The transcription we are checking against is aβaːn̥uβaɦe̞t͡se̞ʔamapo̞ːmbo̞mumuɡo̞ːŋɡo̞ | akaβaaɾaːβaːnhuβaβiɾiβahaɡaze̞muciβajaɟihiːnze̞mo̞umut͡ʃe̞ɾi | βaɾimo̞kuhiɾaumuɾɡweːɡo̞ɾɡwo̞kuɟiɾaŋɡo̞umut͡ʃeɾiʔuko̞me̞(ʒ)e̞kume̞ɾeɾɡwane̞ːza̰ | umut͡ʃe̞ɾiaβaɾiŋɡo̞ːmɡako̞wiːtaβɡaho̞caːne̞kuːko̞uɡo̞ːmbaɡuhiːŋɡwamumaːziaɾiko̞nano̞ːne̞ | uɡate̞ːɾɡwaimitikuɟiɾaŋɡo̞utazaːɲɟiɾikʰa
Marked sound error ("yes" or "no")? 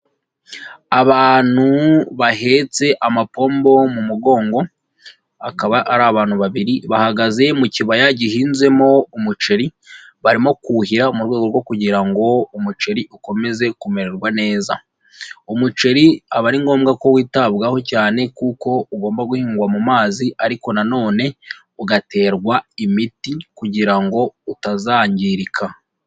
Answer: yes